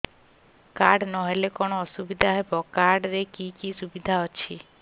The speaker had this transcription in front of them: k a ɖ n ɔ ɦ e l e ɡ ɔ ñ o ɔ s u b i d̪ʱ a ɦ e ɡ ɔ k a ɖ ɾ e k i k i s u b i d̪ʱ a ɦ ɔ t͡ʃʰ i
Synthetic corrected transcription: k a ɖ n ɔ ɦ e l e k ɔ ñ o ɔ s u b i d̪ʱ a ɦ e b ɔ k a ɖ ɾ e k i k i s u b i d̪ʱ a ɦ ɔ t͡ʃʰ i